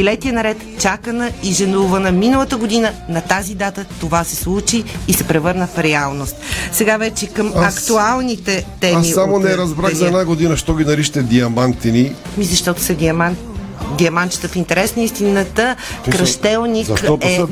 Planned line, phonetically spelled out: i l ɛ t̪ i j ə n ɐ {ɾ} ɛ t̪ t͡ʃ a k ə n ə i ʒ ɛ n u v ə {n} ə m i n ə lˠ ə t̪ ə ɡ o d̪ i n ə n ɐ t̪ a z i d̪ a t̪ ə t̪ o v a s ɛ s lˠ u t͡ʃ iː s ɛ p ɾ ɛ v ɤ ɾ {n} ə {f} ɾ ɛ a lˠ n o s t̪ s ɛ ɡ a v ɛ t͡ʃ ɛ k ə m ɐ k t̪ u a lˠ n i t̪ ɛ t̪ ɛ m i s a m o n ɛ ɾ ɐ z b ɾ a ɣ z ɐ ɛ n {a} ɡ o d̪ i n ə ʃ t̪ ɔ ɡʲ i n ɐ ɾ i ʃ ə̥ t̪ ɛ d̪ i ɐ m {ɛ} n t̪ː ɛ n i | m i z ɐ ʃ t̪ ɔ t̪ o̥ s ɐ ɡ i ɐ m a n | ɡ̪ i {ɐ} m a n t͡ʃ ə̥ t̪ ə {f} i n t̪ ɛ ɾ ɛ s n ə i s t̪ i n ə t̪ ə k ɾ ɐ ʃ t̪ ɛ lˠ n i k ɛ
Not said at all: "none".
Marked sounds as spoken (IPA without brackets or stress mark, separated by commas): ɾ, n, n, f, a, a, ɐ, f